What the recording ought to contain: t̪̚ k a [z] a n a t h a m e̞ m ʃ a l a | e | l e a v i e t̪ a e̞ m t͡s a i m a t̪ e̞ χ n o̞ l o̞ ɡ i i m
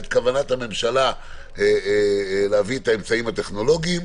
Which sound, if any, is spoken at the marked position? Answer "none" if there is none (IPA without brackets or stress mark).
v